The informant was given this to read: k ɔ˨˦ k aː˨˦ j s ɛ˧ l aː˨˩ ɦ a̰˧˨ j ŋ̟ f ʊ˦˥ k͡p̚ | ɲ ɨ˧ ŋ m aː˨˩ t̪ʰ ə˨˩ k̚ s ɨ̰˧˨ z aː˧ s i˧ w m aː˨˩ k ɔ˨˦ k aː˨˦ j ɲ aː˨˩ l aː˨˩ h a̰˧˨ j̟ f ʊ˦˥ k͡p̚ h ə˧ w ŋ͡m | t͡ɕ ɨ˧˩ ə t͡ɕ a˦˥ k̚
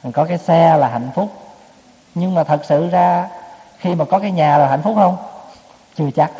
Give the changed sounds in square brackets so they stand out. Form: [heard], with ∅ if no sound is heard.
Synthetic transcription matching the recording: k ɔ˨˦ k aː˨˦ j s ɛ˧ l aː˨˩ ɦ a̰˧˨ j ŋ̟ f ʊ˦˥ k͡p̚ | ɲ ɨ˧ ŋ m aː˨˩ t̪ʰ ə˨˩ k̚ s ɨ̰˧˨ z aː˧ [x] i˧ [∅] m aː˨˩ k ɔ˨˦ k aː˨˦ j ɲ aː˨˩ l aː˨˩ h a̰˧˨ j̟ f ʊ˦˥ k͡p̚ h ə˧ w ŋ͡m | t͡ɕ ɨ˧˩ ə t͡ɕ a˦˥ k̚